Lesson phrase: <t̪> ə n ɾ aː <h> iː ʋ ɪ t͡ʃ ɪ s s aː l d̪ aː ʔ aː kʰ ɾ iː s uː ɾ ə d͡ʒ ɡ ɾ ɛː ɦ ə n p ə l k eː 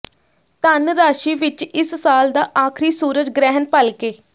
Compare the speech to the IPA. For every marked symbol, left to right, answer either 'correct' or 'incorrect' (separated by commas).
correct, incorrect